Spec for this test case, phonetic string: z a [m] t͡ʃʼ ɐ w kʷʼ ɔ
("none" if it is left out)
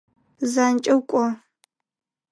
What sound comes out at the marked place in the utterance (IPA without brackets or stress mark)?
n